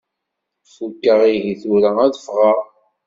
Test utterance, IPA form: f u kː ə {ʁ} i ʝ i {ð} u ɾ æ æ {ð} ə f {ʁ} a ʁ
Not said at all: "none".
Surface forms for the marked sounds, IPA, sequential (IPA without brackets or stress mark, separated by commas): ʁ, θ, ð, ʁ